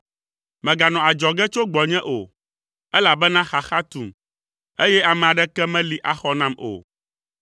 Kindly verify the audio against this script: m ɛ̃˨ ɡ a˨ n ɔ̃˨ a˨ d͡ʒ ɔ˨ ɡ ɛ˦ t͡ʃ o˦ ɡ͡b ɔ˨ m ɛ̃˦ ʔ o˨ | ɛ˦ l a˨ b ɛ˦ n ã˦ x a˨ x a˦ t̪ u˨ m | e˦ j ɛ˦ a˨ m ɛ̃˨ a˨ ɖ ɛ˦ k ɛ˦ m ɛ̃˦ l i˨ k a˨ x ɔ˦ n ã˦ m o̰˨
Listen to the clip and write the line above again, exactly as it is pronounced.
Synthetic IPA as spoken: m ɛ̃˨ ɡ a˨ n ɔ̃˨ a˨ d͡ʒ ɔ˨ ɡ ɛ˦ t͡ʃ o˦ ɡ͡b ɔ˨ ɲ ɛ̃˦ ʔ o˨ | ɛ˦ l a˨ b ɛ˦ n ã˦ x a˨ x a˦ t̪ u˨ m | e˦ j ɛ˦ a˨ m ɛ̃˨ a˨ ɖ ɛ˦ k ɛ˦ m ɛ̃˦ l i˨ ʔ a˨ x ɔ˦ n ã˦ m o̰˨